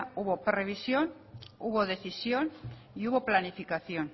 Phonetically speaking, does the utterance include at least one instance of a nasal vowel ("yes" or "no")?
no